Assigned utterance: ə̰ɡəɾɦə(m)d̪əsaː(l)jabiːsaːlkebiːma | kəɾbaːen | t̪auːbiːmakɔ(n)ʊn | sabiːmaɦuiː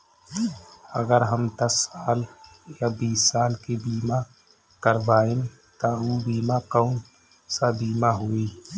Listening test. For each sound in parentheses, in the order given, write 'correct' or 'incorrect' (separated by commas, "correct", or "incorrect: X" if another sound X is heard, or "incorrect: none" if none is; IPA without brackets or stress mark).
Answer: correct, correct, incorrect: none